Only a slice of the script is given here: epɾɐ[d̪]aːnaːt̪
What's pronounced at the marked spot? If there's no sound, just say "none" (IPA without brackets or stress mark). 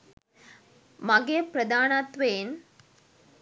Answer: d̪